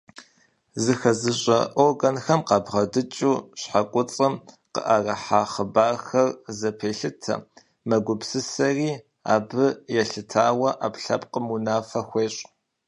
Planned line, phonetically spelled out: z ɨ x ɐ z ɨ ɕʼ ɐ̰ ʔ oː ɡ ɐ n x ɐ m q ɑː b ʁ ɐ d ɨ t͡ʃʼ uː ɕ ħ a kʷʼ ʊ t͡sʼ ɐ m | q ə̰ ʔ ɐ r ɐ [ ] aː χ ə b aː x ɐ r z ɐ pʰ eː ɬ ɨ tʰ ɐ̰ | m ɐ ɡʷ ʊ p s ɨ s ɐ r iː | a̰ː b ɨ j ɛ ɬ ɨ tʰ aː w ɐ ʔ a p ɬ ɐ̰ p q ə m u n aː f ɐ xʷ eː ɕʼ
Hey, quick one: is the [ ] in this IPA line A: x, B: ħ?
B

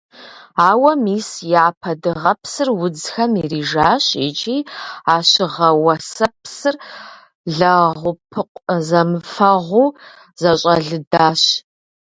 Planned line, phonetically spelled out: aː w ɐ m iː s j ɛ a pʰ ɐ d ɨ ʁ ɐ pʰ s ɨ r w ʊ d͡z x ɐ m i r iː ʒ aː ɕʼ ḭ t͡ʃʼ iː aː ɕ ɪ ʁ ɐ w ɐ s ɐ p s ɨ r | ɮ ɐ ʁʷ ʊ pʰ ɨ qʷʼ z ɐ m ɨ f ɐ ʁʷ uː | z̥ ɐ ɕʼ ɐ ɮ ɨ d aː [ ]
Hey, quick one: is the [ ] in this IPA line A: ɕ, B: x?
A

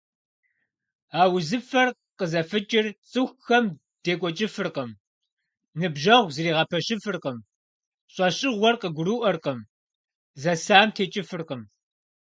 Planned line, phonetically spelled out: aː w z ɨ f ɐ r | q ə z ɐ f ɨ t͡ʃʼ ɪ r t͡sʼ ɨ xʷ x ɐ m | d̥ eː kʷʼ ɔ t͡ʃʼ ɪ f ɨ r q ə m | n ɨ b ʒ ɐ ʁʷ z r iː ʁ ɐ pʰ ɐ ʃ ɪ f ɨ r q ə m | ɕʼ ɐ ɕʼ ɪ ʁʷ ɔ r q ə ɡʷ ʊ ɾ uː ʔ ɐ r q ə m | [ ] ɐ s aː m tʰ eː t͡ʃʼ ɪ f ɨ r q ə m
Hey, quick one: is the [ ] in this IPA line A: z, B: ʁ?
A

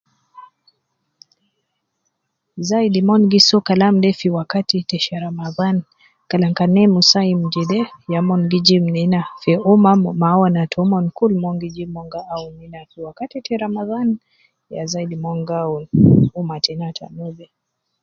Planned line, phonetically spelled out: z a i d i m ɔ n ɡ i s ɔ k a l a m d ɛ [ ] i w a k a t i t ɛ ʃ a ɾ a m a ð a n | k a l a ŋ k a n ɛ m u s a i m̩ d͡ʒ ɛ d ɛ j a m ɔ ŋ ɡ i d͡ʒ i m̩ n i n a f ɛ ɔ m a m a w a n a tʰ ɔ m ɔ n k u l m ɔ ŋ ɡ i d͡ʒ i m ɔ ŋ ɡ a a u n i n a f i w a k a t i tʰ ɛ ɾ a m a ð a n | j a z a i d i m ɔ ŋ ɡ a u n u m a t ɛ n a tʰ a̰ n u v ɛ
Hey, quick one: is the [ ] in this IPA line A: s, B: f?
B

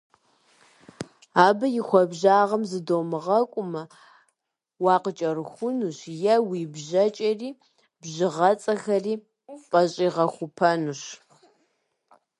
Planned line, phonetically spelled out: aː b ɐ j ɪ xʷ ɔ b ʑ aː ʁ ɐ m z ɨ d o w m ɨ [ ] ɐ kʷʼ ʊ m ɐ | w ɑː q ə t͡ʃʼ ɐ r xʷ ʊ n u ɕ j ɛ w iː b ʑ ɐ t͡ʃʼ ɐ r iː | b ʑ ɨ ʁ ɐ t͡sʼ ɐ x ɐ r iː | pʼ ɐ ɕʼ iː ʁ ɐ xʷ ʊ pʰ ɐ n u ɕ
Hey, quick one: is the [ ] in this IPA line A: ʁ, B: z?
A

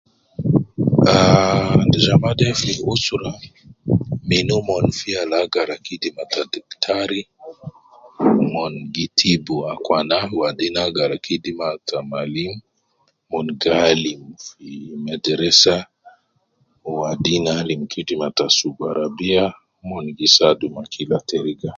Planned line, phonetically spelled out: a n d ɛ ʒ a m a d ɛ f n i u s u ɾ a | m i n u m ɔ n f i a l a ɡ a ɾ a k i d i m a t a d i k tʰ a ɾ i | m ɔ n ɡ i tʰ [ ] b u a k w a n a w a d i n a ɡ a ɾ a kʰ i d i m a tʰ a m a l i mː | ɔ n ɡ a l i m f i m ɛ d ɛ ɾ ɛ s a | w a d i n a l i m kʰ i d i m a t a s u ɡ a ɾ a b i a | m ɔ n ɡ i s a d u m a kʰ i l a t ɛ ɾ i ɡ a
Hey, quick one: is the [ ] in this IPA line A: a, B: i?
B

